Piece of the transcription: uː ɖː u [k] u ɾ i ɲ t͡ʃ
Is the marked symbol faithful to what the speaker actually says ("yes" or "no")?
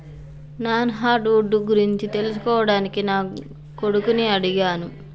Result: no